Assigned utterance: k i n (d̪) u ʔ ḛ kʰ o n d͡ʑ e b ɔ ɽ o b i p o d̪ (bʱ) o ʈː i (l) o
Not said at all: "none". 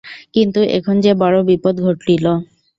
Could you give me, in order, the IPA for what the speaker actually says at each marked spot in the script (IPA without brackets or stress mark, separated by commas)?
t̪, ɡʱ, l